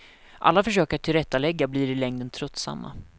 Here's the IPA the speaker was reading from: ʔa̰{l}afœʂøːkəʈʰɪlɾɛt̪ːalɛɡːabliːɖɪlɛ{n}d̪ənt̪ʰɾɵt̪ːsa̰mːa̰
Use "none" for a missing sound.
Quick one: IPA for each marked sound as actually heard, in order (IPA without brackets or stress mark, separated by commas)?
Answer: lː, ŋ